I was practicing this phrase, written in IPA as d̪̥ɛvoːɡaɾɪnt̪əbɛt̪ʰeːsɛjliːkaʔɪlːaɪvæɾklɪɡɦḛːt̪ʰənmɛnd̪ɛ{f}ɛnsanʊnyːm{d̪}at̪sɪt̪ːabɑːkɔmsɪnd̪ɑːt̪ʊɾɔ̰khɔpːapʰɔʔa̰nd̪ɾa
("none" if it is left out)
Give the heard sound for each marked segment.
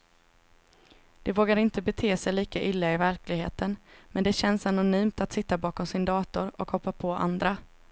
ɕ, t̪

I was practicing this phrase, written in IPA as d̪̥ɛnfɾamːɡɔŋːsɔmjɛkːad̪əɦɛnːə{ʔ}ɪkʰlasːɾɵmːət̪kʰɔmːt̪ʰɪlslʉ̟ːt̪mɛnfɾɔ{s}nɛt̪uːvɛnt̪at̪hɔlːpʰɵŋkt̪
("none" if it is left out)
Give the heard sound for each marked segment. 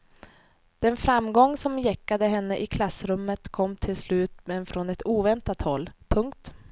ʔ, none

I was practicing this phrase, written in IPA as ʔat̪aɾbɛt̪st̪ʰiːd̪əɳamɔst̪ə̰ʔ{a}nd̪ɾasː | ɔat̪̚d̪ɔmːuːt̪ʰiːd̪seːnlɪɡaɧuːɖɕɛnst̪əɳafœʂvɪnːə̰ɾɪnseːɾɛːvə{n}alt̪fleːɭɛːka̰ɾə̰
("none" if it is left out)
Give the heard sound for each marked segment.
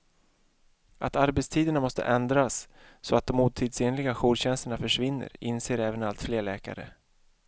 ɛ, n

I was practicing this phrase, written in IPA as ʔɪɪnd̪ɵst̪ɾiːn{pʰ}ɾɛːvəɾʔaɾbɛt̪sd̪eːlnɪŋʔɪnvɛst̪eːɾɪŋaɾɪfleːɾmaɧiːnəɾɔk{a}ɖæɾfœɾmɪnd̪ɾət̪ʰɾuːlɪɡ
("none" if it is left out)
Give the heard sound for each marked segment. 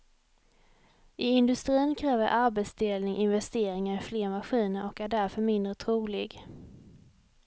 kʰ, æ

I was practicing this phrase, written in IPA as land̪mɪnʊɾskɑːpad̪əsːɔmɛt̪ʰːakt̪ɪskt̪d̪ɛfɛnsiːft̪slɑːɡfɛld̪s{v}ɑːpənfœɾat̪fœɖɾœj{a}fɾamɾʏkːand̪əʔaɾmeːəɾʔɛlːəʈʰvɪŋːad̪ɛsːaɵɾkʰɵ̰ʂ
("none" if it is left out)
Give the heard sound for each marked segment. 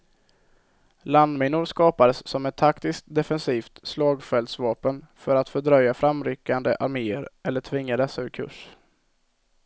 v, a

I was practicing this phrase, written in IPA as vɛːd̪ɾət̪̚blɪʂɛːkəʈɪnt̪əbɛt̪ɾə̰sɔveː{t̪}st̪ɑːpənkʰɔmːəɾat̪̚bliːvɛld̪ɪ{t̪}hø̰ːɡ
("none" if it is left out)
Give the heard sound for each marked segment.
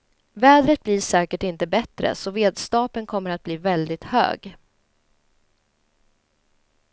d̪, t̪

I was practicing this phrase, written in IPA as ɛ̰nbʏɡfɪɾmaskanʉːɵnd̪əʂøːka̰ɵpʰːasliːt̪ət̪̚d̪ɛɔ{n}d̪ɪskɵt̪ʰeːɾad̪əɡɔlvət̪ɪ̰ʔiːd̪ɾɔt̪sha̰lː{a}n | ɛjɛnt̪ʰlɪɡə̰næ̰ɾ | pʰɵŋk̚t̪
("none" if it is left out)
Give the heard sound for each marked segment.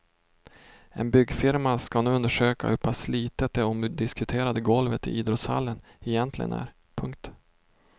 m, ə

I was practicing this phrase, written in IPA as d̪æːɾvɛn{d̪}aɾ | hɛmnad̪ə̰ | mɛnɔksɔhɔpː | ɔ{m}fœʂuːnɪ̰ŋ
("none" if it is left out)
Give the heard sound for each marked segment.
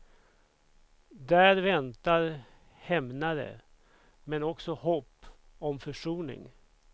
t̪, m

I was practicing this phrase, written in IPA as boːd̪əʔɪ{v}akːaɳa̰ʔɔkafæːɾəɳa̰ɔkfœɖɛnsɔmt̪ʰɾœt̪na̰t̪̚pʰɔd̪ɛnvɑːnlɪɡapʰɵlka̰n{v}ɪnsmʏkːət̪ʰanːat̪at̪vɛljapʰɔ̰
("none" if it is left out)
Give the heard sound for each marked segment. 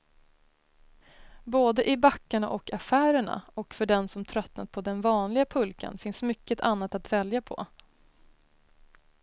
b, f

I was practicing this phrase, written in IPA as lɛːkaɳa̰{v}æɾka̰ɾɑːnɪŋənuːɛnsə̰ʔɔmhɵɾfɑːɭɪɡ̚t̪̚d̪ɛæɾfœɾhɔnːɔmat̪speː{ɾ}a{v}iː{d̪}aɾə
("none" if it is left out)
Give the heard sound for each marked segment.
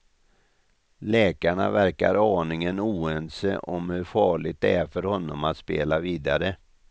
v, l, v, d̪

